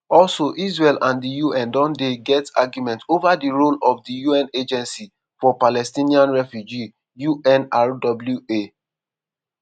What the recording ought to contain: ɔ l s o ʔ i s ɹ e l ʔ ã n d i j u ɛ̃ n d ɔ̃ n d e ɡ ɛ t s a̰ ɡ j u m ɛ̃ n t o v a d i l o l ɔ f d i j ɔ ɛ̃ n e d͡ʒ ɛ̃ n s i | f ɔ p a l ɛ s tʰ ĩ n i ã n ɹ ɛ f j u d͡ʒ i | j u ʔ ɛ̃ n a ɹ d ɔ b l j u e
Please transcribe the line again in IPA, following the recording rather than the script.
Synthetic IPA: ɔ l s o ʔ i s ɹ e l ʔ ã n d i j u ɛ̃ n d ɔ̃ n d e ɡ ɛ t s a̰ ɡ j u m ɛ̃ n t o v a d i ɹ o l ɔ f d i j u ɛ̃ n e d͡ʒ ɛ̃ n s i | f ɔ p a l ɛ s t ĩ n i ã n ɹ ɛ f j u d͡ʒ i | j u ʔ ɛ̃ n a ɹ d ɔ b l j u e